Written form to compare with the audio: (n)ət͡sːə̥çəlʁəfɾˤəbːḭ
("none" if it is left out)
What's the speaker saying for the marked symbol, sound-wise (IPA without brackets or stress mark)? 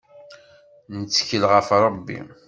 n